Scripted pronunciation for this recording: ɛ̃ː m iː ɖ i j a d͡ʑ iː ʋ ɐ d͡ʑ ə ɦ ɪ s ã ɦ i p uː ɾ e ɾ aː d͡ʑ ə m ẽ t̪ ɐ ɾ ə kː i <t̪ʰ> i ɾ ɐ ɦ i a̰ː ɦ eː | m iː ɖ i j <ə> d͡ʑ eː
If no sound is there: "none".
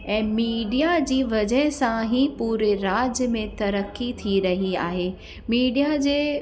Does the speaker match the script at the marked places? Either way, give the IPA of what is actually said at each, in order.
t̪ʰ, a

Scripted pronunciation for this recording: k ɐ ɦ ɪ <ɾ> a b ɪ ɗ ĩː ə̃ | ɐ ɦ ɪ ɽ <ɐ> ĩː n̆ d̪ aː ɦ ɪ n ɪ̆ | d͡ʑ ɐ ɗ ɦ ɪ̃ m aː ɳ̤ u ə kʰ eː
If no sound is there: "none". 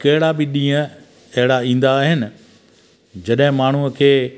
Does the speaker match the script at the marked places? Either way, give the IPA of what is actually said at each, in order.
ɽ, a

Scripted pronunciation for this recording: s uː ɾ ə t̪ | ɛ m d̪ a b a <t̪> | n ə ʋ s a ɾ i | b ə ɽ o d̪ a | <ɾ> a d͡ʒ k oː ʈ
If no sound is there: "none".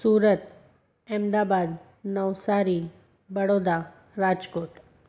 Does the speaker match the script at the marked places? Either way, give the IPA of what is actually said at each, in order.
d̪, ɾ

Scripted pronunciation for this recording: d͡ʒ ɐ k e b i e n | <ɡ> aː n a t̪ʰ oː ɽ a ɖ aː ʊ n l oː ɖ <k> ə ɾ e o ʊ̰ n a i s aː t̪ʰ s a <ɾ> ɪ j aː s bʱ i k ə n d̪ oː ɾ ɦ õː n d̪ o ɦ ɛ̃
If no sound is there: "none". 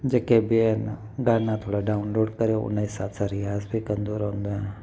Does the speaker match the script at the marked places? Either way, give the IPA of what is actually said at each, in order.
ɡ, k, ɾ

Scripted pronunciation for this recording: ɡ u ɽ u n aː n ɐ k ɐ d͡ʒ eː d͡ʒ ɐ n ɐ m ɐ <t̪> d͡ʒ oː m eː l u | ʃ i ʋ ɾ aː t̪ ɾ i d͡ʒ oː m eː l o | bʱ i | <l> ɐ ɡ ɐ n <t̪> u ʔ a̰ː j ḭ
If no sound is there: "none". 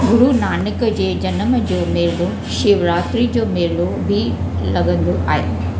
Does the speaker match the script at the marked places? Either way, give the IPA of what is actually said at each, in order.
none, l, d̪

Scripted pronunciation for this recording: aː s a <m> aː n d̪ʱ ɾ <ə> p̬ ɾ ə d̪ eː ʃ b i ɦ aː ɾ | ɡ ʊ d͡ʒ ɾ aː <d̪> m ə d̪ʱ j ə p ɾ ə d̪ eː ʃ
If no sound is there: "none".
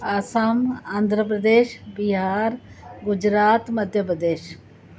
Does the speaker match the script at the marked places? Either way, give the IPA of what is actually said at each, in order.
m, ə, t̪

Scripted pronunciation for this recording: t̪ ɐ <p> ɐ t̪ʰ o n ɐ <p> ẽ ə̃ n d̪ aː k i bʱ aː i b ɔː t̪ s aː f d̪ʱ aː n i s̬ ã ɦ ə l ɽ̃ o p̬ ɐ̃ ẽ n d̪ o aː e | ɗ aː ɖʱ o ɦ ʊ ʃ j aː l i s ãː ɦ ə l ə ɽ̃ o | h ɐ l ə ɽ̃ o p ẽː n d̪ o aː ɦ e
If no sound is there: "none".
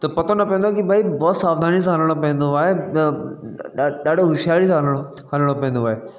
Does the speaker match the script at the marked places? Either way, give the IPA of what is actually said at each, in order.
p, p

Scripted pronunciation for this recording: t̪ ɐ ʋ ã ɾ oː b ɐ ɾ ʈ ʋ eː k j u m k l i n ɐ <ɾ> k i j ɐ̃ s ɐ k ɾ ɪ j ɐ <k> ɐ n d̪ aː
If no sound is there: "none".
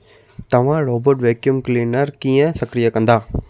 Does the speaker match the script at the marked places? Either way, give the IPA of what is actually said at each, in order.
ɾ, k

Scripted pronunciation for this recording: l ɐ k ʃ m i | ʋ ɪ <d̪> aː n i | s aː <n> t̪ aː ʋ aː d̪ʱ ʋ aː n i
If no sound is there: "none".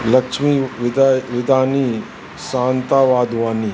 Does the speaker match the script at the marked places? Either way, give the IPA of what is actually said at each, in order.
d̪, n

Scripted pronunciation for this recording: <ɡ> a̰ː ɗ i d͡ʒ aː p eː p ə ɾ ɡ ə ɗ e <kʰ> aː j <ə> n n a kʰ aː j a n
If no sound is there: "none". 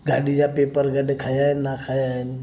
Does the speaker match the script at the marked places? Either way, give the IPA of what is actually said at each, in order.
ɡ, kʰ, a

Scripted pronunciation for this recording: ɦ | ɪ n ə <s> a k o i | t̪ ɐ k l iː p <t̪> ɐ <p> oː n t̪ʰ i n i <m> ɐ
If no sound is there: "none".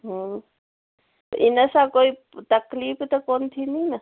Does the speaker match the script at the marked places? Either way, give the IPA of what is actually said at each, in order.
s, t̪, k, n

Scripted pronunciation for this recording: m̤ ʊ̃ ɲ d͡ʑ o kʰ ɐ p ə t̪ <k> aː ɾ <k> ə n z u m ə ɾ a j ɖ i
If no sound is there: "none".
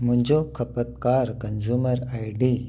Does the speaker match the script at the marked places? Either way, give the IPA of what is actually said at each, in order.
k, k

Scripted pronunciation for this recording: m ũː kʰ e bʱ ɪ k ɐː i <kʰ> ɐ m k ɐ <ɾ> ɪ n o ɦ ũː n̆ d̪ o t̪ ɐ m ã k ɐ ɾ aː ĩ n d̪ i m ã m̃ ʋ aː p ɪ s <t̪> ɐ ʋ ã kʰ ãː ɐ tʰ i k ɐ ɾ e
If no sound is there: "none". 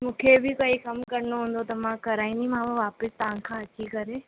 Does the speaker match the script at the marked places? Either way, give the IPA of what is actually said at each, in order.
k, ɾ, t̪

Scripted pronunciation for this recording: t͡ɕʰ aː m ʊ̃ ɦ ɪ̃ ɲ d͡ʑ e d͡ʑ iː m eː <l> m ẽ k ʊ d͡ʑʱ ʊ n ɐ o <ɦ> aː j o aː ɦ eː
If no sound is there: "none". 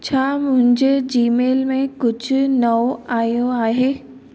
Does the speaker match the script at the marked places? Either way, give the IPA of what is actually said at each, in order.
l, none

